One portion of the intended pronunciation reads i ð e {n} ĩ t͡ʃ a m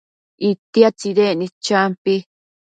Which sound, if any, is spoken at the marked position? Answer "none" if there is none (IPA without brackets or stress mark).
n